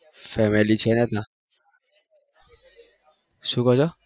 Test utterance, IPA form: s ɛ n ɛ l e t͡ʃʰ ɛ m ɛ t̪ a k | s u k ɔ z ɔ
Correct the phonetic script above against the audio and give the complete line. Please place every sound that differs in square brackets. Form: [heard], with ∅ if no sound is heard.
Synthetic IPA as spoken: [f] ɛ [m] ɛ l [i] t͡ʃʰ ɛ [n] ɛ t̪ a [∅] | s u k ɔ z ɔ